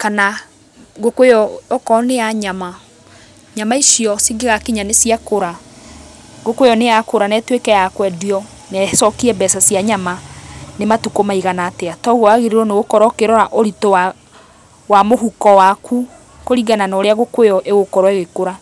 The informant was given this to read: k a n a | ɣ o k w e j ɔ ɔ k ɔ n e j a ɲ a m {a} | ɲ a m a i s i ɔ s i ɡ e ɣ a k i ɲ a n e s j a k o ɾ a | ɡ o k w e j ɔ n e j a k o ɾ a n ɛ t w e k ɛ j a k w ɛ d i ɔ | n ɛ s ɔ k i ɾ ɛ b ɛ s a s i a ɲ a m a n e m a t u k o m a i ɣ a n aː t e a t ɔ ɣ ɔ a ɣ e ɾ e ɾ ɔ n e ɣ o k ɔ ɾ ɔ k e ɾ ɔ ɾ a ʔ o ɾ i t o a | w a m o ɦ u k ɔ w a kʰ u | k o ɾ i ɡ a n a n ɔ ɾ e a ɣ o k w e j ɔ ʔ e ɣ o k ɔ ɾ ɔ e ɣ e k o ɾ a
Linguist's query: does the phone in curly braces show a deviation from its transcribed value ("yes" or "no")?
no